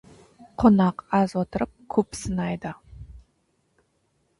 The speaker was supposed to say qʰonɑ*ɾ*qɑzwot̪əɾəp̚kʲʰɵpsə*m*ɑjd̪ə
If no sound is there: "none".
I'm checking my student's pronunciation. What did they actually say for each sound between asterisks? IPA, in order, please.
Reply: none, n

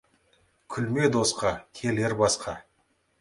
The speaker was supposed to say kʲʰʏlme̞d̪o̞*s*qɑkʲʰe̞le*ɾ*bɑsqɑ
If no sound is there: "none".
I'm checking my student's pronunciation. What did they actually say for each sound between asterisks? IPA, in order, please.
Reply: s, ɾ

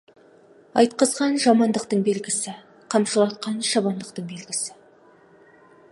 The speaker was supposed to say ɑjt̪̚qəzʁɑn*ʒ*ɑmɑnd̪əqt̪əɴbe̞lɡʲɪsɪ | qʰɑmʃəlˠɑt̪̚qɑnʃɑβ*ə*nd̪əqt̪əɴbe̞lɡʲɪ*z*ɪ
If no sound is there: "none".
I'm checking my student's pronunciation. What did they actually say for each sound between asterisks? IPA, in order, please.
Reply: ʒ, ɑ, s

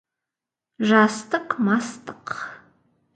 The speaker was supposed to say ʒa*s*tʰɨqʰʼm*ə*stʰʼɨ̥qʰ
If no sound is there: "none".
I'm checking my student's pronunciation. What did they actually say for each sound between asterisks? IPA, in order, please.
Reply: s, a

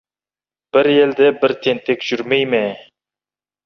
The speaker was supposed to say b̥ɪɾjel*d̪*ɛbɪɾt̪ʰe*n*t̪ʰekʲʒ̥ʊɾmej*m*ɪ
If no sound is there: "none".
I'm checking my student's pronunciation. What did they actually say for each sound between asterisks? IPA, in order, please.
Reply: d̪, n, m

